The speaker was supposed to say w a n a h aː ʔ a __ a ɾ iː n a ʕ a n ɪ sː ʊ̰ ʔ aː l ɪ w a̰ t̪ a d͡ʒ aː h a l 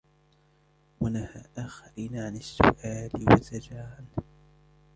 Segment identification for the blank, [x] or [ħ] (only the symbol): x